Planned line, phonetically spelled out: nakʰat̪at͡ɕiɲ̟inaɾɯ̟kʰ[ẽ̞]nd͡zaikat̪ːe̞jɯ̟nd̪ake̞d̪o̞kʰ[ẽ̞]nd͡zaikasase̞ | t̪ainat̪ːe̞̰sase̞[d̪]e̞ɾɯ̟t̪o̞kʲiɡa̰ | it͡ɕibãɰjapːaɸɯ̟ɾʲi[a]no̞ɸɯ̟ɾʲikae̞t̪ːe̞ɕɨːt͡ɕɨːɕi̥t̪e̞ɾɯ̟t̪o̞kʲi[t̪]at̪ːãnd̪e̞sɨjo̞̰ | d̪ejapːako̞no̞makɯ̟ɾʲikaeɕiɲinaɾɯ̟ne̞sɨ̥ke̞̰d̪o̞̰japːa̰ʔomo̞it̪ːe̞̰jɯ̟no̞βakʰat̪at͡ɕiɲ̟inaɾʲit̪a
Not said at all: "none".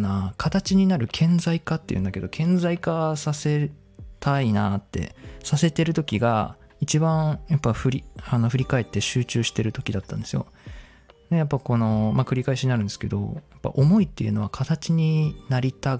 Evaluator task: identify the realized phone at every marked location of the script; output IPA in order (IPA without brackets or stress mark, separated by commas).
ẽ̞, ẽ̞, t̪, a, d̪